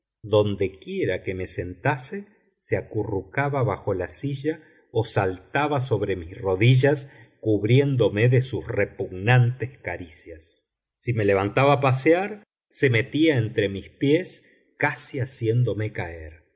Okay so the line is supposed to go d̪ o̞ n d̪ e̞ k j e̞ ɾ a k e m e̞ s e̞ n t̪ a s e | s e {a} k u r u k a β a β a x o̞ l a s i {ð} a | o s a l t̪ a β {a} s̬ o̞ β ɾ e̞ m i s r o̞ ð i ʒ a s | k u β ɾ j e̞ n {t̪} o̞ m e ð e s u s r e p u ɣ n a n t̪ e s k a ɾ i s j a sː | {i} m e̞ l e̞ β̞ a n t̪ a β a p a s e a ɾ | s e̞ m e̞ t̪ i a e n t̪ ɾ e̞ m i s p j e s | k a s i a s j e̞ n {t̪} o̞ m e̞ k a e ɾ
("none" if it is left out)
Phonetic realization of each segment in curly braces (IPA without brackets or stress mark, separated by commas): a, ʒ, a, d̪, i, d̪